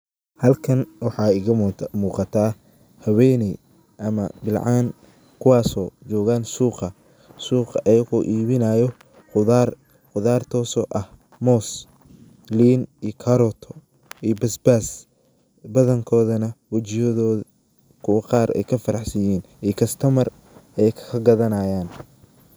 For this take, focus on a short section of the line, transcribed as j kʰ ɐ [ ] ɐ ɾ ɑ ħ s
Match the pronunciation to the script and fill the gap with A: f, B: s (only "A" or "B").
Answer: A